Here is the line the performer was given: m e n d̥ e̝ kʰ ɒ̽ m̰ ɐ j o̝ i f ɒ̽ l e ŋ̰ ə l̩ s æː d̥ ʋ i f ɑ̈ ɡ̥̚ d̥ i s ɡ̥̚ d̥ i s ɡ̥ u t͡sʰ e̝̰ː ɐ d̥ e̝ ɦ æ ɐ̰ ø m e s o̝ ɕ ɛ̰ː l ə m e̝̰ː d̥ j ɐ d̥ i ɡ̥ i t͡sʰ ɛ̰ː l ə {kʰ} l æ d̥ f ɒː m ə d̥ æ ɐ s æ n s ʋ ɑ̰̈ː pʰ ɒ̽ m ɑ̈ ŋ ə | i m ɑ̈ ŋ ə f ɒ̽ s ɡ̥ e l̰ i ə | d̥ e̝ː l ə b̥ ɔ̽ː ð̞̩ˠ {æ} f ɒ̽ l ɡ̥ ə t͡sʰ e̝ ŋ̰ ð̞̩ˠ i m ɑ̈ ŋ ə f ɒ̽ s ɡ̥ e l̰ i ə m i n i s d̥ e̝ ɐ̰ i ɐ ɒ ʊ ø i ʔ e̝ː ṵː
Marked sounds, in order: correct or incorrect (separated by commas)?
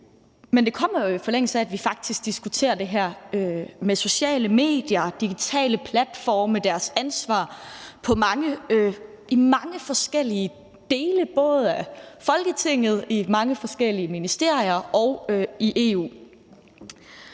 incorrect, correct